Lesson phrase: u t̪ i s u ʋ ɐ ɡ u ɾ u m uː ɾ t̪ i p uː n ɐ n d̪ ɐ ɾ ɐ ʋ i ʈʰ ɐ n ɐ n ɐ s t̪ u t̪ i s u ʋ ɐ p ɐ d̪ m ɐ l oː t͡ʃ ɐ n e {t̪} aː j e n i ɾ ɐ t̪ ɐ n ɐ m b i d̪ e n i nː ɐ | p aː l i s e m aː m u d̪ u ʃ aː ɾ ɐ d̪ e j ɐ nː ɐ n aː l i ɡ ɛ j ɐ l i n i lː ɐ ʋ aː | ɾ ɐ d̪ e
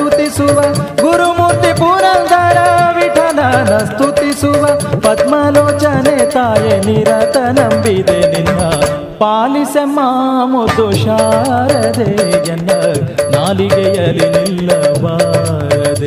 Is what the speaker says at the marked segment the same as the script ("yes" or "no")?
yes